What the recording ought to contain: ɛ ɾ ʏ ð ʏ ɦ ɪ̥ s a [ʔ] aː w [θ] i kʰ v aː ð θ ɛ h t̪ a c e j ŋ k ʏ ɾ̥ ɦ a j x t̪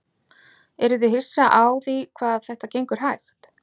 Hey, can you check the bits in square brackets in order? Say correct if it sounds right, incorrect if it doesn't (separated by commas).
correct, incorrect